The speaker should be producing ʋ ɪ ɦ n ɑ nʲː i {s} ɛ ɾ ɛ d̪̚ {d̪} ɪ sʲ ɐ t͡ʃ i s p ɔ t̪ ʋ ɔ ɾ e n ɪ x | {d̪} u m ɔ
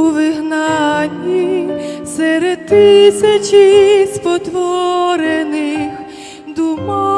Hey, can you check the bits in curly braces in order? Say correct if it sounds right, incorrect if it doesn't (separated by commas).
correct, incorrect, correct